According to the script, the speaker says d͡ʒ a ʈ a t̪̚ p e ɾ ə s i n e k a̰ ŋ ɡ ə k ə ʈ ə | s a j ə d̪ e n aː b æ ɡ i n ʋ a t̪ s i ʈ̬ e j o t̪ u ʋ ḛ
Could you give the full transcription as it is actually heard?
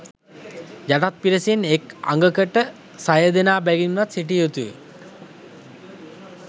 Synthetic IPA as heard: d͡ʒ a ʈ a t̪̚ p i ɾ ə s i n e k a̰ ŋ ɡ ə k ə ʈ ə | s a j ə d̪ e n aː b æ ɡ i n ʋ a t̪ s i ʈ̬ i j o t̪ u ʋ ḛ